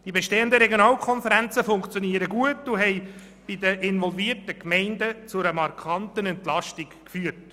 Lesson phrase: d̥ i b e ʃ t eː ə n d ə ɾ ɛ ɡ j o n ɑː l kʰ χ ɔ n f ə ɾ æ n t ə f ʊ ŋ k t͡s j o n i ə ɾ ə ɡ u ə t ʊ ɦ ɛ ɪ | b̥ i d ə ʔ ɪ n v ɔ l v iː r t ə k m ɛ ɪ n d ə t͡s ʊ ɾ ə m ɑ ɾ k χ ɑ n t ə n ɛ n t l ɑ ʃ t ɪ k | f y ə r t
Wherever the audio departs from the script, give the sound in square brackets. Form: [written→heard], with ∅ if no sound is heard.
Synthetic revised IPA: d̥ i b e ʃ t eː ə n d ə ɾ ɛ ɡ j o n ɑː l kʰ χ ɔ n f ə ɾ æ n [t→t͡s] ə f ʊ ŋ k t͡s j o n i ə ɾ ə ɡ u ə t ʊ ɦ ɛ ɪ | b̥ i d ə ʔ ɪ n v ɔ l v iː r t ə k m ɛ ɪ n d ə t͡s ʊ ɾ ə m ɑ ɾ k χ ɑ n t ə n ɛ n t l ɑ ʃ t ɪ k | f y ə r t